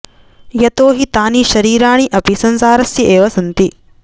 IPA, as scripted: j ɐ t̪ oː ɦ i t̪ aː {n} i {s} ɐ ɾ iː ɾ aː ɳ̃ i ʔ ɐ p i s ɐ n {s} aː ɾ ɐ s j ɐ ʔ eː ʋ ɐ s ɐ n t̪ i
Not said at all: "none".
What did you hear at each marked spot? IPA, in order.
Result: n, ʃ, s

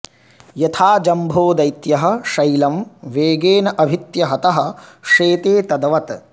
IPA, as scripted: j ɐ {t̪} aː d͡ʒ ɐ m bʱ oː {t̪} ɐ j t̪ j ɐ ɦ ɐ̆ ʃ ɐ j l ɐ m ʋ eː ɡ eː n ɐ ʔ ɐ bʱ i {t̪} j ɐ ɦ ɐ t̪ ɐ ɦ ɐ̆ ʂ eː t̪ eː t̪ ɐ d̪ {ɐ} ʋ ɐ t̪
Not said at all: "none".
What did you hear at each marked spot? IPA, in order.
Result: t̪ʰ, d̪, t̪, ɐ

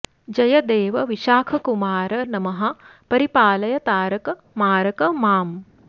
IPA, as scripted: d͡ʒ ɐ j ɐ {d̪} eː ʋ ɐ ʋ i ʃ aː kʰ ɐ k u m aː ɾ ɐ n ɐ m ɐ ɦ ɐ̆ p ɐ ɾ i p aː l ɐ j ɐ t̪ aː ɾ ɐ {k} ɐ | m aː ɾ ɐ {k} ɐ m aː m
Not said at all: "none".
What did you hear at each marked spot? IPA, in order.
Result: d̪, k, k

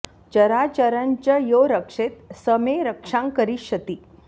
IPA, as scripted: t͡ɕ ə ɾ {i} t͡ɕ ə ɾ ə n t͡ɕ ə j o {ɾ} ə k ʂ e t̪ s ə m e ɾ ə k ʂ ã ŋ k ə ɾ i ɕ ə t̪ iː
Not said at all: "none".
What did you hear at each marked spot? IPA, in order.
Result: a, ɾ

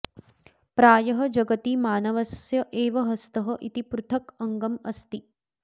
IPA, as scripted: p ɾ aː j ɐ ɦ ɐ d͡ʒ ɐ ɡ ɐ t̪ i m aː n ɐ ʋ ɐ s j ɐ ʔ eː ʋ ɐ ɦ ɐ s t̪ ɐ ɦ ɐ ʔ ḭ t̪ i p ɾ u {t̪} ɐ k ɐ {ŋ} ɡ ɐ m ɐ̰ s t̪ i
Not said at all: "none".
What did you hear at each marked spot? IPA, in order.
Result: t̪ʰ, ŋ

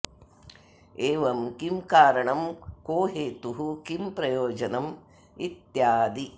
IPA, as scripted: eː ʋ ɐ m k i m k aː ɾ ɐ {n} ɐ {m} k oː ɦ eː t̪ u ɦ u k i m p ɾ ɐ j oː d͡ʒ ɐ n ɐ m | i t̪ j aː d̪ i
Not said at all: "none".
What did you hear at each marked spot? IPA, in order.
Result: ɳ, m

